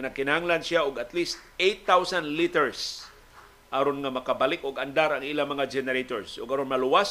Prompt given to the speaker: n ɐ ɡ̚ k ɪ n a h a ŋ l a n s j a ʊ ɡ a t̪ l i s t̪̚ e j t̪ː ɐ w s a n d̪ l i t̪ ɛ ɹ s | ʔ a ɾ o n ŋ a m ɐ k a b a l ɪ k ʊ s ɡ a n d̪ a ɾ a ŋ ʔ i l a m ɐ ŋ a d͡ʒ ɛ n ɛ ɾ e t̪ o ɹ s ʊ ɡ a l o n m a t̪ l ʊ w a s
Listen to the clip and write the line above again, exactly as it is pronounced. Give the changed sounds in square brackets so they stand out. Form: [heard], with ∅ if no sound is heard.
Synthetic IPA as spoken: n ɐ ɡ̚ k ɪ n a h a ŋ l a n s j a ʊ ɡ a t̪ l i s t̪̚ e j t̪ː [a] w s a n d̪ l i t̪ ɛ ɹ s | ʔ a ɾ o n ŋ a m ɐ k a b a l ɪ k ʊ [∅] ɡ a n d̪ a ɾ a ŋ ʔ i l a m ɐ ŋ a d͡ʒ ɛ n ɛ ɾ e t̪ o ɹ s ʊ ɡ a [ɾ] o n m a [∅] l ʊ w a s